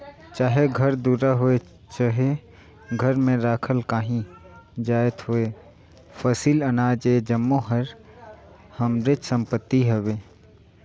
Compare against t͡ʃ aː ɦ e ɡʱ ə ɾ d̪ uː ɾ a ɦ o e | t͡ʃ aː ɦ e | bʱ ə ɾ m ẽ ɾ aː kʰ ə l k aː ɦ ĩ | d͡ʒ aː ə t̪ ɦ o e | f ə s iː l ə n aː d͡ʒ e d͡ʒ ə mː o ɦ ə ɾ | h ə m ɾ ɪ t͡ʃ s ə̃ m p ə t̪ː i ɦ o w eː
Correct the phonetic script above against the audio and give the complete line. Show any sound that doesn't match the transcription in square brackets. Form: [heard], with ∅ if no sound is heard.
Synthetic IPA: t͡ʃ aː ɦ e ɡʱ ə ɾ d̪ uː ɾ a ɦ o e | t͡ʃ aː ɦ e | [ɡʱ] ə ɾ m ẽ ɾ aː kʰ ə l k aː ɦ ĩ | d͡ʒ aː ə t̪ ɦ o e | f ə s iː l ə n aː d͡ʒ e d͡ʒ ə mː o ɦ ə ɾ | h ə m ɾ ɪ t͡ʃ s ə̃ m p ə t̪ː i ɦ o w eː